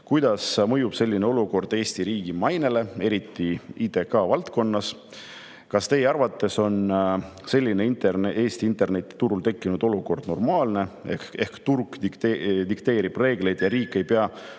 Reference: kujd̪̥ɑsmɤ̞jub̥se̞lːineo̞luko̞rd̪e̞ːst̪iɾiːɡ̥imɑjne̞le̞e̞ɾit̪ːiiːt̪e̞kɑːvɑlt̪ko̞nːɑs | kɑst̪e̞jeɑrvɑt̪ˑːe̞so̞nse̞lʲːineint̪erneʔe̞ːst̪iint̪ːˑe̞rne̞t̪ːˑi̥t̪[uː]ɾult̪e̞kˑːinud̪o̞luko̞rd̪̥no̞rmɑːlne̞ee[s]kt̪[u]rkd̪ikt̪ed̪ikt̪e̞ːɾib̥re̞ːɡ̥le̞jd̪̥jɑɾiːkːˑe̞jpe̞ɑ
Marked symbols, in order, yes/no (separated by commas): no, no, yes